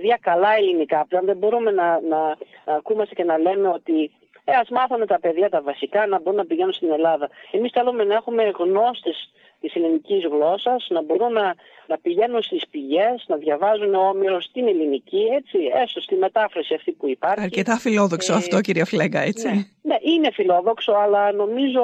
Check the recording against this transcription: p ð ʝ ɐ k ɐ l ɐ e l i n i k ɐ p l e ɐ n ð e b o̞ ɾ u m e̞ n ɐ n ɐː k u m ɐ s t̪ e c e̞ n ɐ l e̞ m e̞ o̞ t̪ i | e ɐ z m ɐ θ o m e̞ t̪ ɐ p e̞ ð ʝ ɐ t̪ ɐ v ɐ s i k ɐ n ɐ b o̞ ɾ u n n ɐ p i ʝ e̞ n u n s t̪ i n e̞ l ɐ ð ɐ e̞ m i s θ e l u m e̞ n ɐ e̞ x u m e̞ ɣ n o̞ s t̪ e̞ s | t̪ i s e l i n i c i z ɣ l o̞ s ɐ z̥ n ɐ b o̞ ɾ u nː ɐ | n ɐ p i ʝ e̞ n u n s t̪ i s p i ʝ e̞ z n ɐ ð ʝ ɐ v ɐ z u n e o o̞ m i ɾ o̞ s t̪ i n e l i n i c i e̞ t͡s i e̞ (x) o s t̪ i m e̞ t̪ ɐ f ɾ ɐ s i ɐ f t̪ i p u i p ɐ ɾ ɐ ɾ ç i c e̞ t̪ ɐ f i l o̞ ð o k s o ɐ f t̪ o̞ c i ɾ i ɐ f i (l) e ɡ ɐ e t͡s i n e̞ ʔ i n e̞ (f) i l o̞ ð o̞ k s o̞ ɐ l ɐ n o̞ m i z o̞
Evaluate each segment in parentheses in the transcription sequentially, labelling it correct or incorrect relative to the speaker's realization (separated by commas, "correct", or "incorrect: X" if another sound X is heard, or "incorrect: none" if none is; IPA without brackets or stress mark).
incorrect: s, correct, correct